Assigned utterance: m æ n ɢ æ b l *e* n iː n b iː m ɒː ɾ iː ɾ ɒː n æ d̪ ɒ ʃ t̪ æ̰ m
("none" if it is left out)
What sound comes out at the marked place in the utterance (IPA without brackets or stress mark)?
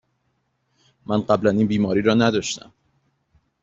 æ